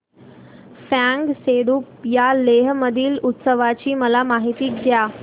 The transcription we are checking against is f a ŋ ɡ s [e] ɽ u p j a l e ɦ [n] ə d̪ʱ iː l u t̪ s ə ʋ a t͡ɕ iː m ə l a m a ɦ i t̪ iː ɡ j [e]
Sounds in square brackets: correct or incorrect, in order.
correct, incorrect: m, incorrect: a

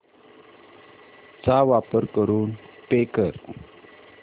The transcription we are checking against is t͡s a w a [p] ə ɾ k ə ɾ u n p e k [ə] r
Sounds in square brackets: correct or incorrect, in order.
correct, correct

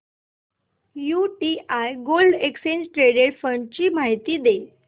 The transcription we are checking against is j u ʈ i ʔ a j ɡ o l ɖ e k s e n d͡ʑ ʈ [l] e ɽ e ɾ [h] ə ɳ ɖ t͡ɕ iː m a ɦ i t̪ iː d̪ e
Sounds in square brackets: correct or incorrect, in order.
incorrect: ɾ, incorrect: f

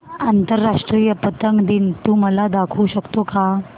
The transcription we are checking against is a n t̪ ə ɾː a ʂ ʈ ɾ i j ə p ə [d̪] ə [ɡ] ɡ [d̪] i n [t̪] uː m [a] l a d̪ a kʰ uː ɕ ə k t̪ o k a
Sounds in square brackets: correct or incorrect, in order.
incorrect: t̪, incorrect: ŋ, correct, correct, incorrect: ə

